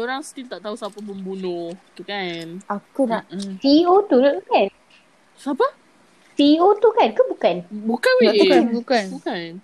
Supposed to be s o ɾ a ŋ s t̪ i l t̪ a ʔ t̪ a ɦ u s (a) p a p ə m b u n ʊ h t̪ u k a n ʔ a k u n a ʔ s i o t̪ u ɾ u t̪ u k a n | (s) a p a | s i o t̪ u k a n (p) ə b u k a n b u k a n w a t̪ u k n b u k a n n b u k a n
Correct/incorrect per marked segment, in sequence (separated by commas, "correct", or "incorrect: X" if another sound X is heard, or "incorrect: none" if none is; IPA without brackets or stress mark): correct, correct, incorrect: k